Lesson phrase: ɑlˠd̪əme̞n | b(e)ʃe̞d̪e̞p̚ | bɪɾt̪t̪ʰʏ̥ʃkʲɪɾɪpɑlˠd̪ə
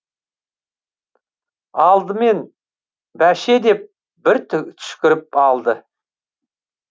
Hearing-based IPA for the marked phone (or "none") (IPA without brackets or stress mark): æ